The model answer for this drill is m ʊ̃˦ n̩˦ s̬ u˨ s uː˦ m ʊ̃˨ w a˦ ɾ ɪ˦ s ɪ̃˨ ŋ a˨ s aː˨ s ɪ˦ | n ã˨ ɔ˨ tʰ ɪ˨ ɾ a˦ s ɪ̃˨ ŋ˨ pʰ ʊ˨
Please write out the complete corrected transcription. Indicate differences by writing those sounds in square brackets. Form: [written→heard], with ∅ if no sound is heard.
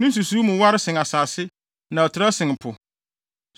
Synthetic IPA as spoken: [m→n] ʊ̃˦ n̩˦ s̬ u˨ s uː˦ m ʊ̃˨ w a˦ ɾ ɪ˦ s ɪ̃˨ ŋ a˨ s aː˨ s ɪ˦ | n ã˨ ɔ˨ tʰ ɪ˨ ɾ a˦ s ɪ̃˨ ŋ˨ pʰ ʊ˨